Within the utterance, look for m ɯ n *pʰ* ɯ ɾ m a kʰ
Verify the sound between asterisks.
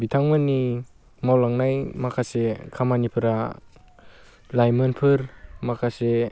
correct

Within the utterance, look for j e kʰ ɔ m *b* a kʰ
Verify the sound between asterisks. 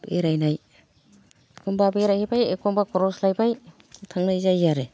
correct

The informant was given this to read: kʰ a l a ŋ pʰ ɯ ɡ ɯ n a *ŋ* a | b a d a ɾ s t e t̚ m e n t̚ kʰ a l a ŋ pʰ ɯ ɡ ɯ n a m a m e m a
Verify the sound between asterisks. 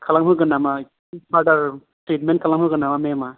incorrect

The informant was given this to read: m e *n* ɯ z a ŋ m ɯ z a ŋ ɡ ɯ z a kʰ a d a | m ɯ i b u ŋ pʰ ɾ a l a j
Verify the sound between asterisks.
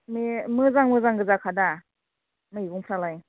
incorrect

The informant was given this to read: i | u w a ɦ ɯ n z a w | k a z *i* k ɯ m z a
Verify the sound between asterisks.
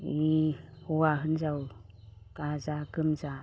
incorrect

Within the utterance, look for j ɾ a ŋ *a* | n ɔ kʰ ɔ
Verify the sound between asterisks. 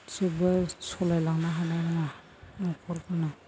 correct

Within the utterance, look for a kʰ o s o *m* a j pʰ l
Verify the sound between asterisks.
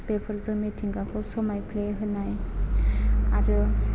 correct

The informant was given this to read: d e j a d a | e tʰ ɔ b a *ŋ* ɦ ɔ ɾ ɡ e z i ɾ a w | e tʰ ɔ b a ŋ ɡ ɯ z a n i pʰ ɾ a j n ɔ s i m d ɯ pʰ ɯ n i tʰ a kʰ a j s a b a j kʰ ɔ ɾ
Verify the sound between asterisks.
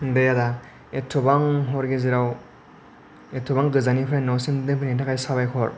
correct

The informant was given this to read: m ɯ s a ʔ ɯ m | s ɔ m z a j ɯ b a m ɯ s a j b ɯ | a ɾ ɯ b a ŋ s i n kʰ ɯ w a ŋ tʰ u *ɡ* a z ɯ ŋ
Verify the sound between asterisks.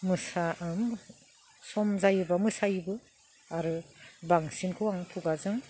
correct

